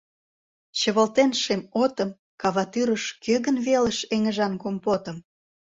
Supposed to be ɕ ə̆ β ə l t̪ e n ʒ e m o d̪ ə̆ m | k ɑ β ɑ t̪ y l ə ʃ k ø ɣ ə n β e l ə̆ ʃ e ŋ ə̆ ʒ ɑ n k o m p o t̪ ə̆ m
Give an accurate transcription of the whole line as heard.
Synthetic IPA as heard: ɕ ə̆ β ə l t̪ e n ʃ e m o t̪ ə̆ m | k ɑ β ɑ t̪ y ɾ ə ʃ k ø ɣ ə n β e l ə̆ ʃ e ŋ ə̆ ʒ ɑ n k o m p o t̪ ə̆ m